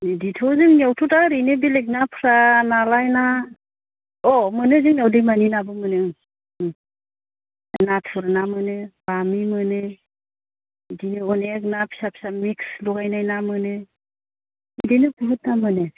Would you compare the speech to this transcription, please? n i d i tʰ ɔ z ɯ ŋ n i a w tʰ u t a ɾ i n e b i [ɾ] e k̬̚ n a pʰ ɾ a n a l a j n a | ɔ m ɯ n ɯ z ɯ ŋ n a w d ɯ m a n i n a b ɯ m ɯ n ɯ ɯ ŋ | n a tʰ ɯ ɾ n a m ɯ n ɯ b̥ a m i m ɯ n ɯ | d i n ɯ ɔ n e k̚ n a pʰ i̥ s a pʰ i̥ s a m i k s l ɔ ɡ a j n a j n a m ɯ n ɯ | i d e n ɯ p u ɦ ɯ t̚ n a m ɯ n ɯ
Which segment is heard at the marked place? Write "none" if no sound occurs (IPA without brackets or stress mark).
l